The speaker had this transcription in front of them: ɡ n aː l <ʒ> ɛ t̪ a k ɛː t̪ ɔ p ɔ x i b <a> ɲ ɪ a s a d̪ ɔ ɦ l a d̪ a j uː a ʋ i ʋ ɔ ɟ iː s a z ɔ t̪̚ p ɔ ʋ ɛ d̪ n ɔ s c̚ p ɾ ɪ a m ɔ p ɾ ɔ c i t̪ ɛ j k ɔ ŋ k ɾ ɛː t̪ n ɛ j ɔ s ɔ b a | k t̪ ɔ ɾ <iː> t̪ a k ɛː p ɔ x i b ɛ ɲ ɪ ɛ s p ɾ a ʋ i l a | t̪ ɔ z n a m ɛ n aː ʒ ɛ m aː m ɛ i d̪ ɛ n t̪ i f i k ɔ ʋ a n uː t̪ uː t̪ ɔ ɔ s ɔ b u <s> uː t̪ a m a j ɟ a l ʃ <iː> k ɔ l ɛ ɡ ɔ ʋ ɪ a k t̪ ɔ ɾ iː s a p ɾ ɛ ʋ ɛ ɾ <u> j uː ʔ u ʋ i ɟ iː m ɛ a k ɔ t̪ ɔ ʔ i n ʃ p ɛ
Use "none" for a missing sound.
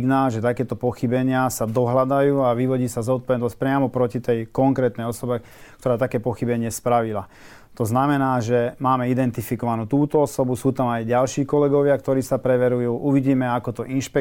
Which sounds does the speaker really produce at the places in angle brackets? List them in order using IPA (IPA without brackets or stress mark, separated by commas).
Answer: ʒ, ɛ, aː, s, iː, u